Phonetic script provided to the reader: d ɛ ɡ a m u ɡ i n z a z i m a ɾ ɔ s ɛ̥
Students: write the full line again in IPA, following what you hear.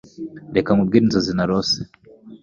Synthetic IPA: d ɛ k a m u ɡ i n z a z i n a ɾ ɔ s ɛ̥

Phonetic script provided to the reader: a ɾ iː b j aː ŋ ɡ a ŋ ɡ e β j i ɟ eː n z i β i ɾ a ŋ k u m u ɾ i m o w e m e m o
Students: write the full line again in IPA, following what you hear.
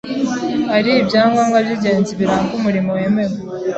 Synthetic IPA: a ɾ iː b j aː ŋ ɡ a ŋ ɡ a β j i ɟ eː n z i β i ɾ a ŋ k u m u ɾ i m o w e m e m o

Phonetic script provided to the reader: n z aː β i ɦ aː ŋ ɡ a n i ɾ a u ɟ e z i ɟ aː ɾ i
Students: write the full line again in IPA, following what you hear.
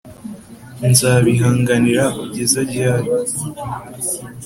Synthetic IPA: n z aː β i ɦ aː ŋ ɡ a n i ɾ a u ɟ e z a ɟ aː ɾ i

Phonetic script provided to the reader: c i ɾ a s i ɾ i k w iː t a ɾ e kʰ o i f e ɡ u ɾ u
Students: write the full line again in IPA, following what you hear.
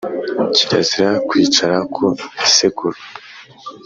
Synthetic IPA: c i ɾ a z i ɾ a k w iː t͡ʃ a ɾ a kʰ o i s e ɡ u ɾ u

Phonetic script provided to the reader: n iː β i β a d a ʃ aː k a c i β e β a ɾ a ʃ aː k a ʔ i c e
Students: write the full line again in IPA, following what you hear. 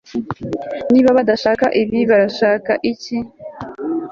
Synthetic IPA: n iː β a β a d a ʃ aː k a ʔ i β i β a ɾ a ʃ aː k a ʔ i c i

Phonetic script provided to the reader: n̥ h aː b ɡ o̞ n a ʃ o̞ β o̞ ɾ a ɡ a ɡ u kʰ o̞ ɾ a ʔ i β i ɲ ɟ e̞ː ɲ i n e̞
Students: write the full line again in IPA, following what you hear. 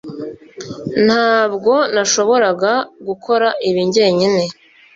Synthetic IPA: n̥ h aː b ɡ o̞ n a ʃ o̞ β o̞ ɾ a ɡ a ɡ u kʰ o̞ ɾ a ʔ i β i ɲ ɟ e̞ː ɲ i n e̞

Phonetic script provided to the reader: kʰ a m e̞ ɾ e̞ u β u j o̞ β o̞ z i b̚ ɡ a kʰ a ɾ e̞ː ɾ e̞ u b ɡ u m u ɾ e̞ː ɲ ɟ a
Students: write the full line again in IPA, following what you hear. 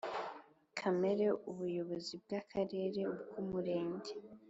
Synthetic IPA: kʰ a m e̞ ɾ e̞ u β u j o̞ β o̞ z i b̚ ɡ a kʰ a ɾ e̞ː ɾ e̞ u b ɡ u m u ɾ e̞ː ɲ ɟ e

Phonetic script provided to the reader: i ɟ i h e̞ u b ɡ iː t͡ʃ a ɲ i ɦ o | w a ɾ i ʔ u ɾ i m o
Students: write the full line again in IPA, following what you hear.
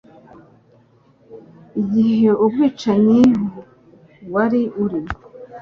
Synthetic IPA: i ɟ i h e̞ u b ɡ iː t͡ʃ a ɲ i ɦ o | w a ɾ i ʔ u ɾ i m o

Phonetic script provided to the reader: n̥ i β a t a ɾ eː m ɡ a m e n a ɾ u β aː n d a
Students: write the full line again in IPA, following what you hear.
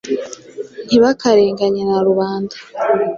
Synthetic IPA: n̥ i β a k a ɾ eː ŋ ɡ a ɲ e n a ɾ u β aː n d a

